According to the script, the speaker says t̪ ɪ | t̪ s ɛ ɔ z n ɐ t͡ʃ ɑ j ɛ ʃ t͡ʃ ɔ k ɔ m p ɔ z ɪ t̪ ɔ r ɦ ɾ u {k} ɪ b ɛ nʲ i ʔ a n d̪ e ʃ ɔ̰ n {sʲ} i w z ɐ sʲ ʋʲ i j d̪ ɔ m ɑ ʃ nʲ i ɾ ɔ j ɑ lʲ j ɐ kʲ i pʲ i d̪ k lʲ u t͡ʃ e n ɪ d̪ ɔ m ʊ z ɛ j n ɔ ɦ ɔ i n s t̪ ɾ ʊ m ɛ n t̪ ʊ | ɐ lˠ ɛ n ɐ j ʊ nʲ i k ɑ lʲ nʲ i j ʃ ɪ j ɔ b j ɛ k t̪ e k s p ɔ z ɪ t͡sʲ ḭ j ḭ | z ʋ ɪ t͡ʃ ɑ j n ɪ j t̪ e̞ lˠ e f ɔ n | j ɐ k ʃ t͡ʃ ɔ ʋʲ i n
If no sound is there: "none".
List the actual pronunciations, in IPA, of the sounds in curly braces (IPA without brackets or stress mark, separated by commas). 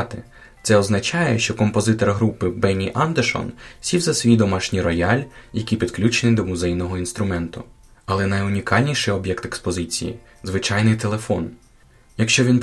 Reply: p, sʲ